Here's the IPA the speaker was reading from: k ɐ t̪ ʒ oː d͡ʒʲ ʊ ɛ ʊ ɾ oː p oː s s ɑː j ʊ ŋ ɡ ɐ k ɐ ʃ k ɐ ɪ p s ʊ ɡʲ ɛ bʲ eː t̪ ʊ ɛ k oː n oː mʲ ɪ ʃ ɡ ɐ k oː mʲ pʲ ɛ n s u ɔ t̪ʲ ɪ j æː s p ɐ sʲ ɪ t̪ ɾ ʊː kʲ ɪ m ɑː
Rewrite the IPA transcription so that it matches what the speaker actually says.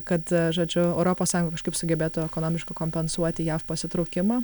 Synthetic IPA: k ɐ t̪ ʒ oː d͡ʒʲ ʊ ɛ ʊ ɾ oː p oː s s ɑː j ʊ ŋ ɡ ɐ k ɐ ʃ k ɐ ɪ p s ʊ ɡʲ ɛ bʲ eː t̪ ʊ ɛ k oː n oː mʲ ɪ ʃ k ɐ k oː mʲ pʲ ɛ n s u ɔ t̪ʲ ɪ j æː f p ɐ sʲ ɪ t̪ ɾ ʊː kʲ ɪ m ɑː